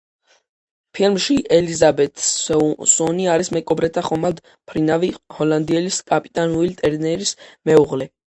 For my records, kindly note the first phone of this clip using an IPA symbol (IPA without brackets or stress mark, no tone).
pʰ